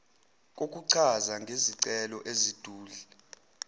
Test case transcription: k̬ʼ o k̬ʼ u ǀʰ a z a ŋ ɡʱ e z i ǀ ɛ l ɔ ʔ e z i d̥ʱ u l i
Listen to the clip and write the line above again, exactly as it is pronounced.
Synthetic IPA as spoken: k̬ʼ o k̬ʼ u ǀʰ a z a ŋ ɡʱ e z i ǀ ɛ l ɔ ʔ e z i d̥ʱ uː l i